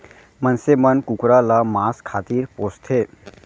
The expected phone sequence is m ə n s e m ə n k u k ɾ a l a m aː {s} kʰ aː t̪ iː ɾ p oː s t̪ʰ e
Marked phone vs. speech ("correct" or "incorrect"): correct